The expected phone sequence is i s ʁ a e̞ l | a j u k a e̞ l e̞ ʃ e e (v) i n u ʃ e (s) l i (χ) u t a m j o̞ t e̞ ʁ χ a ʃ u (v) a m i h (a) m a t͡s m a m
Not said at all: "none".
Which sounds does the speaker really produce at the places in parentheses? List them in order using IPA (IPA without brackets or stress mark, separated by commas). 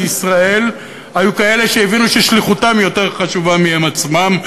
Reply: v, ʃ, χ, v, e